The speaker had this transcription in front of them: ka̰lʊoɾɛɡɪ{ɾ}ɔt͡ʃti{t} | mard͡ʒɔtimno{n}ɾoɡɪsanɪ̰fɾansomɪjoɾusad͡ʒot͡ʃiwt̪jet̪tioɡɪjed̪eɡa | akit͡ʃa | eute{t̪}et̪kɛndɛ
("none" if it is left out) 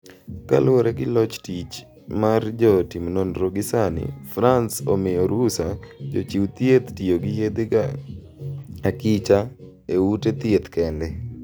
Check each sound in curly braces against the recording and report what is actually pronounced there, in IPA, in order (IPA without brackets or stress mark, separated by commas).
l, t͡ʃ, n, t̪